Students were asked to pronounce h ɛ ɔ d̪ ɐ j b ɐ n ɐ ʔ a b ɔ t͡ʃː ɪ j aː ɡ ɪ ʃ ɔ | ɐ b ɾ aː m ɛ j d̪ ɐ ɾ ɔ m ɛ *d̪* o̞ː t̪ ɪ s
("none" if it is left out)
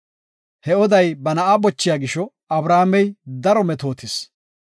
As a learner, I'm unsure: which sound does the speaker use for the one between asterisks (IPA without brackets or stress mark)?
t̪